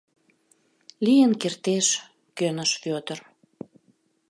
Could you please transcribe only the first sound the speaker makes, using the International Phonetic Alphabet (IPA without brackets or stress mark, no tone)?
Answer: l